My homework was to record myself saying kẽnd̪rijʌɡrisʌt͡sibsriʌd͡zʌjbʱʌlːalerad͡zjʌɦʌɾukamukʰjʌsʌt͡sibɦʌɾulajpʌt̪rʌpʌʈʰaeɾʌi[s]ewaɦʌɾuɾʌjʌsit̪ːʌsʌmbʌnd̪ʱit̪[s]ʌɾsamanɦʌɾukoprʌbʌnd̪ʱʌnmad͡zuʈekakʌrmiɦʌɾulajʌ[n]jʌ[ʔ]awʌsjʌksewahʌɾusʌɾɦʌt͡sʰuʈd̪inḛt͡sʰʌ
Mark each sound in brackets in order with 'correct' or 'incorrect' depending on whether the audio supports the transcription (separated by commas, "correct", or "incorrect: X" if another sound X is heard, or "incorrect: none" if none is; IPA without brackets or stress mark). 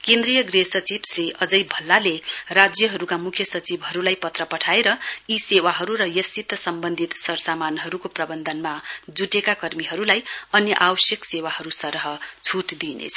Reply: correct, correct, correct, correct